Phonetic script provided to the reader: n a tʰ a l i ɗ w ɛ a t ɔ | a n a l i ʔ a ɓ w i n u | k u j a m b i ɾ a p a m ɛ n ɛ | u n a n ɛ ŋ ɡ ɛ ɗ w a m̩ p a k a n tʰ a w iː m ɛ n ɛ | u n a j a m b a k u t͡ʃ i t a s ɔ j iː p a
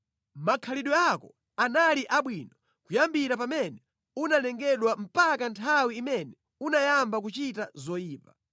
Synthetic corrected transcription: m a kʰ a l i ɗ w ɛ a k ɔ | a n a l i ʔ a ɓ w i n ɔ | k u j a m b i ɾ a p a m ɛ n ɛ | u n a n ɛ ŋ ɡ ɛ ɗ w a m̩ p a k a n tʰ a w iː m ɛ n ɛ | u n a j a m b a k u t͡ʃ i t a z ɔ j iː p a